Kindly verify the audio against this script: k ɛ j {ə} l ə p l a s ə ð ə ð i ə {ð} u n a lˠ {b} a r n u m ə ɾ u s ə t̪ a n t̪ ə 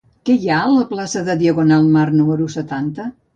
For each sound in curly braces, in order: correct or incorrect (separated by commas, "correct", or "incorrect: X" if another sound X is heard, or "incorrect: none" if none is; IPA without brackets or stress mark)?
incorrect: a, incorrect: ɣ, incorrect: m